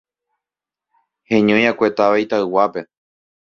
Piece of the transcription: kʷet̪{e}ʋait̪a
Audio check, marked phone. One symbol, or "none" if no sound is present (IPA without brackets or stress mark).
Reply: a